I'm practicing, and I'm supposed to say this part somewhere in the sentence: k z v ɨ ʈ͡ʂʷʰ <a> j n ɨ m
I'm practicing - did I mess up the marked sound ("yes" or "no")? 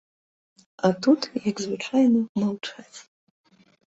no